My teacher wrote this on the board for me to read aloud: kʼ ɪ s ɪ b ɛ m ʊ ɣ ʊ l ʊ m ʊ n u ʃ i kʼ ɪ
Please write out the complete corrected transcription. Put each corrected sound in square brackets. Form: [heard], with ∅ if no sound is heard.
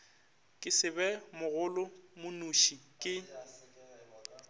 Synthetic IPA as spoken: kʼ ɪ s ɪ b ɛ m ʊ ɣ ʊ l ʊ m ʊ n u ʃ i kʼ ɪ